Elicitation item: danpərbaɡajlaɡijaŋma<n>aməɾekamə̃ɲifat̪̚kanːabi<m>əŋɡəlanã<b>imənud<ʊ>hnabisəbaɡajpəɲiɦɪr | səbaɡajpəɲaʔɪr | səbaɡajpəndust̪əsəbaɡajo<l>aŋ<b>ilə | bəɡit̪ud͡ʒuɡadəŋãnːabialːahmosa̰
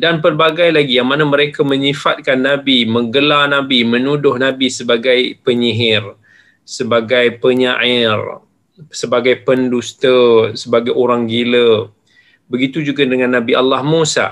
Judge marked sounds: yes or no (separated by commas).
yes, yes, yes, yes, no, no